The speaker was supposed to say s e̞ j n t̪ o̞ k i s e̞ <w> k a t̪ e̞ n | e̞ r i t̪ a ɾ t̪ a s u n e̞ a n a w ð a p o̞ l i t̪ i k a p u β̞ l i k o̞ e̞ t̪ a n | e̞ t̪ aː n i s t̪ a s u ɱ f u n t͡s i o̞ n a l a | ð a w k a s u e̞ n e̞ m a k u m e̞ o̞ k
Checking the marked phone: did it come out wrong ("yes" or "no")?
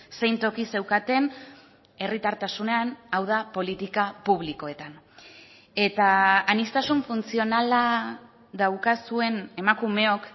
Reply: no